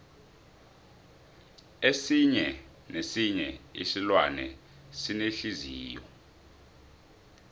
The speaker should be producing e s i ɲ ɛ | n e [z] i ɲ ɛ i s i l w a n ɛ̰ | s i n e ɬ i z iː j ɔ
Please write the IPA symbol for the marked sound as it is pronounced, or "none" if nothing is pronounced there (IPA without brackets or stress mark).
s